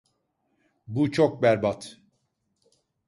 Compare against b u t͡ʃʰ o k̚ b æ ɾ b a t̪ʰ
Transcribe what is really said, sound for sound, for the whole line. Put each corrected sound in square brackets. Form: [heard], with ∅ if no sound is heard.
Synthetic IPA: b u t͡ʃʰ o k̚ b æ ɾ b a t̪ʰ

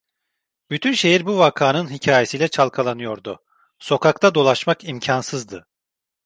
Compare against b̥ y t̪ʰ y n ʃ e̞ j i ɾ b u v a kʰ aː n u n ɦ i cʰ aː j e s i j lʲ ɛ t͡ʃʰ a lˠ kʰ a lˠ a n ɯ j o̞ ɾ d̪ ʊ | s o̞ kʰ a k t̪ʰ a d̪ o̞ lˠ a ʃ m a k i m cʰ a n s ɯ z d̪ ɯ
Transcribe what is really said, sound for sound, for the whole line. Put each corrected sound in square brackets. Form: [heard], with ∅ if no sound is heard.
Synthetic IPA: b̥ y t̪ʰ y n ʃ e̞ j i ɾ b u v a kʰ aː n [ɯ] n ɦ i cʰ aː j e s i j lʲ ɛ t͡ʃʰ a lˠ kʰ a lˠ a n ɯ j o̞ ɾ d̪ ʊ | s o̞ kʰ a k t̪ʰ a d̪ o̞ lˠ a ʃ m a k i m cʰ a n s ɯ z d̪ ɯ

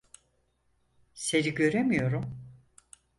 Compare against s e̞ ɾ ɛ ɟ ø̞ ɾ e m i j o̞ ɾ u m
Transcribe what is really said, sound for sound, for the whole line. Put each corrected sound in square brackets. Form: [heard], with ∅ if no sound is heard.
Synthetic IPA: s e̞ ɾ [i] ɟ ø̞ ɾ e m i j o̞ ɾ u m

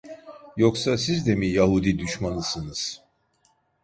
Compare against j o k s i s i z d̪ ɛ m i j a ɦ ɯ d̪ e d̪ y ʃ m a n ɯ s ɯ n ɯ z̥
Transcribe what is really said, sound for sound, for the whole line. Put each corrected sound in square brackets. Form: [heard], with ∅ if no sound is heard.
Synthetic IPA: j o k s [a] s i z d̪ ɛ m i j a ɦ [u] d̪ [i] d̪ y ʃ m a n ɯ s ɯ n ɯ z̥

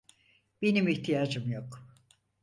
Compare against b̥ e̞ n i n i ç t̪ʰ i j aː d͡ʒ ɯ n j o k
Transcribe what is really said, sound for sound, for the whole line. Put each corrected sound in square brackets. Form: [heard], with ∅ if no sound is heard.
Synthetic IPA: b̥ e̞ n i [m] i ç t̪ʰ i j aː d͡ʒ ɯ [m] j o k

